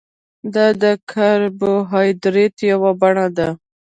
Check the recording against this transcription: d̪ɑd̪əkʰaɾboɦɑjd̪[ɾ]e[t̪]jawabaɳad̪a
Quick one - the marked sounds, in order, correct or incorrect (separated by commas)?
correct, correct